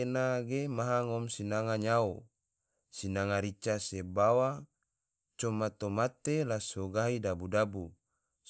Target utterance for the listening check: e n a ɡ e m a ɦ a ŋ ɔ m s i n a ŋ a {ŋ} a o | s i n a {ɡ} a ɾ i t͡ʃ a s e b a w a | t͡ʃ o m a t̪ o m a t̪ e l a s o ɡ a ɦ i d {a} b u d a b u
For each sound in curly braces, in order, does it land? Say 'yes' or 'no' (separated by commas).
no, no, yes